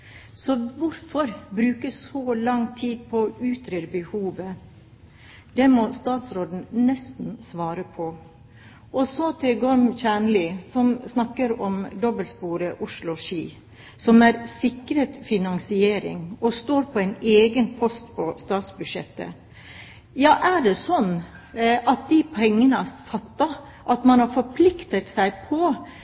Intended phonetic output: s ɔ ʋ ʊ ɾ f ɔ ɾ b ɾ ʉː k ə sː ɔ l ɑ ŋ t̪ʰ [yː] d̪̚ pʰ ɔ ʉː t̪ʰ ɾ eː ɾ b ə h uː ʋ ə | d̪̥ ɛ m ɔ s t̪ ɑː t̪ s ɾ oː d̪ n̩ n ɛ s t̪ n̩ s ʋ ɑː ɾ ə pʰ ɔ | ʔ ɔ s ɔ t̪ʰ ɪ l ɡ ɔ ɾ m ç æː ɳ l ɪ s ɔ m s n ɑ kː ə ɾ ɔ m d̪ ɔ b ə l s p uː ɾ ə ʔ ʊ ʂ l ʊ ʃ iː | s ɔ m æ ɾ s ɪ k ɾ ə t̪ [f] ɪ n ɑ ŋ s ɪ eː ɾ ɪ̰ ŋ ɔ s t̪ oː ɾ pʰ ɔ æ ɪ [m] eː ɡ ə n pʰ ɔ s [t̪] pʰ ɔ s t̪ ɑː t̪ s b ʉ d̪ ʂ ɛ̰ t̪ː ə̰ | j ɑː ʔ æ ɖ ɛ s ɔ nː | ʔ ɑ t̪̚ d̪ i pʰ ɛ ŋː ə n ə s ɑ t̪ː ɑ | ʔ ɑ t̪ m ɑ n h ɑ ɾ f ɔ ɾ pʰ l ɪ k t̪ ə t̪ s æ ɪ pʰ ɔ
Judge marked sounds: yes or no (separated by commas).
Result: no, yes, no, yes